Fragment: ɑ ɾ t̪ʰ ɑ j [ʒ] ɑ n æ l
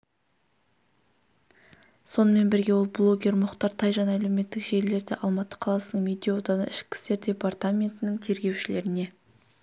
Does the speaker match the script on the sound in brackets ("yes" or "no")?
yes